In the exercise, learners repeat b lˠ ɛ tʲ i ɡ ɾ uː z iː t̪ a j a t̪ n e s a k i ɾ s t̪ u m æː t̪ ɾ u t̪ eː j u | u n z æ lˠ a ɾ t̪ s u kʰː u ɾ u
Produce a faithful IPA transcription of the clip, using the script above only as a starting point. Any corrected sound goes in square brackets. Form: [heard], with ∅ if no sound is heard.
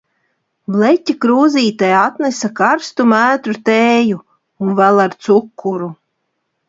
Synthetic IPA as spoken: b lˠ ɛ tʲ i [k] ɾ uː z iː t̪ a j a t̪ n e s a k [a] ɾ s t̪ u m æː t̪ ɾ u t̪ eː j u | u n [v] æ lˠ a ɾ t̪ s u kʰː u ɾ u